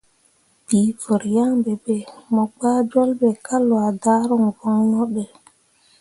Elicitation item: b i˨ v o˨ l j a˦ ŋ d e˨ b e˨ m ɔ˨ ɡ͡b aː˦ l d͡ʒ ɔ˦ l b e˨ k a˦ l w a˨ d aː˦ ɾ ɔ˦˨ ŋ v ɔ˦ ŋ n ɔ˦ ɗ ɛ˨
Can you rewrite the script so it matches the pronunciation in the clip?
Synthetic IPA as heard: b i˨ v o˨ ɾ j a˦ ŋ b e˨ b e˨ m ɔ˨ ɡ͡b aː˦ d͡ʒ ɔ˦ l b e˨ k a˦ l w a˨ d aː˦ ɾ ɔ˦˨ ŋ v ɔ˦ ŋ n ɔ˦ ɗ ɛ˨